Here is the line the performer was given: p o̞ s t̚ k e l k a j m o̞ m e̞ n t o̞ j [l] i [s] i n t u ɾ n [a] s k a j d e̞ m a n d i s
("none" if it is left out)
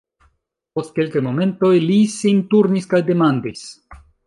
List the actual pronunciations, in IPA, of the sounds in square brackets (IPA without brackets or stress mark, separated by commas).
l, s, i